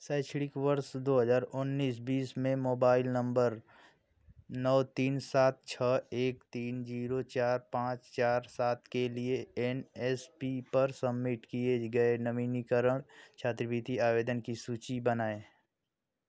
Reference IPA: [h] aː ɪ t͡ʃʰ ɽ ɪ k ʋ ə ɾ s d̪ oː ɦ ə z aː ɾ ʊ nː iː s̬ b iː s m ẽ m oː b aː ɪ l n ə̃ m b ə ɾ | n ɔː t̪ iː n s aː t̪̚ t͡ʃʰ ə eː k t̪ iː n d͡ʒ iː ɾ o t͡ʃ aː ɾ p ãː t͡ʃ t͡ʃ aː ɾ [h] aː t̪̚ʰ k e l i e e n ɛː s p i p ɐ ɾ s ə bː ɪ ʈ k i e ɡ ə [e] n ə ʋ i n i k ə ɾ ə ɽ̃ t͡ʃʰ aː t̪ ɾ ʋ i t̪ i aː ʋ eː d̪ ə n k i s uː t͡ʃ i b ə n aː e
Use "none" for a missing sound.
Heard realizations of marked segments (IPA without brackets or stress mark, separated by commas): s, s, e